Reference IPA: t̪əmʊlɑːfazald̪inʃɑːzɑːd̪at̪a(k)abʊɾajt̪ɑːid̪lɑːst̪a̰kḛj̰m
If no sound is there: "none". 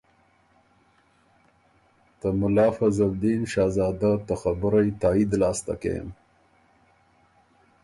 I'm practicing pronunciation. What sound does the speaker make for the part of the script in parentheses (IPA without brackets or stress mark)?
x